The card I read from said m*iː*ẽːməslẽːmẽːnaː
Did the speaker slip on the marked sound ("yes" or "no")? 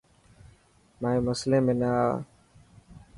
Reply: yes